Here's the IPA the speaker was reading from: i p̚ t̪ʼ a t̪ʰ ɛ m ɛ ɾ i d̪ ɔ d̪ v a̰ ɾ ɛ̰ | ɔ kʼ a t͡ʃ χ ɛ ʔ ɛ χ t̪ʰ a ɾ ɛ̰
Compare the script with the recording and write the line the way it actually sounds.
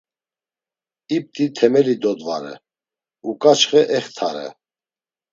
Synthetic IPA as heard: i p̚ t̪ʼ i t̪ʰ ɛ m ɛ l i d̪ ɔ d̪ v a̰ ɾ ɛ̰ | u kʼ a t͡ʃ χ ɛ ʔ ɛ χ t̪ʰ a ɾ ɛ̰